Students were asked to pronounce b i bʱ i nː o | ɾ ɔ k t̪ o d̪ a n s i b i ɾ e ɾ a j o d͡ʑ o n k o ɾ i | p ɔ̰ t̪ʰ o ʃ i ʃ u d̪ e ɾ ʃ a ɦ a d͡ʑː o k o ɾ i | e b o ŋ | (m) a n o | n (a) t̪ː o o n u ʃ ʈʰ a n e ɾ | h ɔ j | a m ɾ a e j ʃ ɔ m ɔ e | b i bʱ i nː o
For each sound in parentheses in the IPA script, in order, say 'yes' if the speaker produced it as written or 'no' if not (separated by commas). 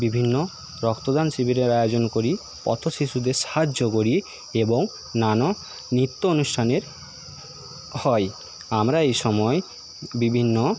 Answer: no, no